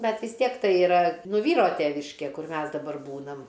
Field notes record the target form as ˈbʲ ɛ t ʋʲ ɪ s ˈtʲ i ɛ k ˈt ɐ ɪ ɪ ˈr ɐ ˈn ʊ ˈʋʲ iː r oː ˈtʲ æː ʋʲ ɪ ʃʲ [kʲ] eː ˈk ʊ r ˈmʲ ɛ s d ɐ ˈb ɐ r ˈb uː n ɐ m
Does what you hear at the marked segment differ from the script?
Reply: no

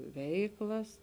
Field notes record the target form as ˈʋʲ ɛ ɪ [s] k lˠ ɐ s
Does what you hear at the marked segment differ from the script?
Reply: yes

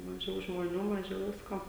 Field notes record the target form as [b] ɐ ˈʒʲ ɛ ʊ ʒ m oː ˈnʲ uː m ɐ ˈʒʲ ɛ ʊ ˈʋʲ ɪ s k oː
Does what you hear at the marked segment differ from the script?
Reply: yes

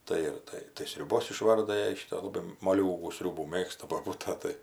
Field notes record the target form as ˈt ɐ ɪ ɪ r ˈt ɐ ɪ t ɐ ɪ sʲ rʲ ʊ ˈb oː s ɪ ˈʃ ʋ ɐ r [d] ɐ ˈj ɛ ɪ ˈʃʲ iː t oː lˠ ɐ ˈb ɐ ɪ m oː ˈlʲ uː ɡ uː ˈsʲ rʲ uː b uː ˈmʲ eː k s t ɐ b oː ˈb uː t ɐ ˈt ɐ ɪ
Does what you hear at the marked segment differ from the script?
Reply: no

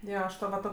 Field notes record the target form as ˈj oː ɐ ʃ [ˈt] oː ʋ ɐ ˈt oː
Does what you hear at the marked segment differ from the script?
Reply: no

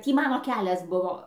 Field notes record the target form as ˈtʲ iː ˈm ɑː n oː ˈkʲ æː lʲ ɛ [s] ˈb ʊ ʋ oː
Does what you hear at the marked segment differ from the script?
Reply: no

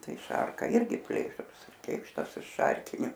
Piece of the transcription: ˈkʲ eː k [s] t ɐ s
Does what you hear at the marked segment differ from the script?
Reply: yes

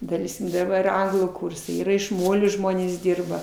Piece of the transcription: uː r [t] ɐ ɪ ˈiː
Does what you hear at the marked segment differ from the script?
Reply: yes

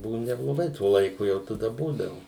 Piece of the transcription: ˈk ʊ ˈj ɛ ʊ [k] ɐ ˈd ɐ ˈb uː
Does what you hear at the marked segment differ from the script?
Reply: yes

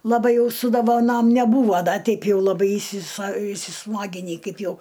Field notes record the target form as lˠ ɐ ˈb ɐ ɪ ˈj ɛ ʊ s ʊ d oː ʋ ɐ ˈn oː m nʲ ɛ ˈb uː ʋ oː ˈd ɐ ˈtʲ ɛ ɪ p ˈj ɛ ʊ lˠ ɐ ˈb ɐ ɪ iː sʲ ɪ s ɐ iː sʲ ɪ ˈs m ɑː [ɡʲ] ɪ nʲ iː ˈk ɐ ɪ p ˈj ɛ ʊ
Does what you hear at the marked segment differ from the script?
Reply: no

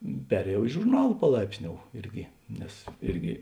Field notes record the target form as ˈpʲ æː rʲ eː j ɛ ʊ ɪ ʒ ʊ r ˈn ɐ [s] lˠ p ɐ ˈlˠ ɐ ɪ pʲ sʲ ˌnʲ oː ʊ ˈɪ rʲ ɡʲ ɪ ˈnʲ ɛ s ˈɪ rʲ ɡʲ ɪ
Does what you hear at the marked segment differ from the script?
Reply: yes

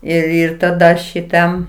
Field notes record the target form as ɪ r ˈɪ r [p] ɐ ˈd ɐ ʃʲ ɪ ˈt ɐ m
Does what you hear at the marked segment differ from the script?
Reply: yes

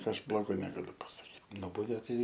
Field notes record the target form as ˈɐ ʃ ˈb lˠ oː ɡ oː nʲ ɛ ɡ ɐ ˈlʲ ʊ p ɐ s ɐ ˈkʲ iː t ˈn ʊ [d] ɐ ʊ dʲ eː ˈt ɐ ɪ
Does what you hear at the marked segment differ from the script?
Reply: yes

